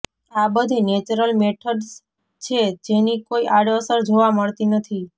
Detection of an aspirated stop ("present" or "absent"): present